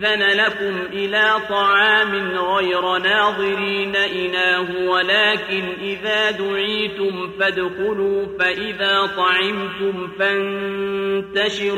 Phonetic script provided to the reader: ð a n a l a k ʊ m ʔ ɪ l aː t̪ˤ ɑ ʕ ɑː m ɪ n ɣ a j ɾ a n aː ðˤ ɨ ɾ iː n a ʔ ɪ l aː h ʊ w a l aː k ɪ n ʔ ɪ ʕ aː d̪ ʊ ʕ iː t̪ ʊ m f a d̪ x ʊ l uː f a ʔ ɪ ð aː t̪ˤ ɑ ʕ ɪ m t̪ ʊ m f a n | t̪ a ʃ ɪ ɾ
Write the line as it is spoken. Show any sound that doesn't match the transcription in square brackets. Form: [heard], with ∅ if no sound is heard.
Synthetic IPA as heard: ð a n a l a k ʊ m ʔ ɪ l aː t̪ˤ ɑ ʕ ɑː m ɪ n ɣ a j ɾ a n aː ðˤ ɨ ɾ iː n a ʔ ɪ l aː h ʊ w a l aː k ɪ n ʔ ɪ [ð] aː d̪ ʊ ʕ iː t̪ ʊ m f a d̪ x ʊ l uː f a ʔ ɪ ð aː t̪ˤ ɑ ʕ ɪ m t̪ ʊ m f a n | t̪ a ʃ ɪ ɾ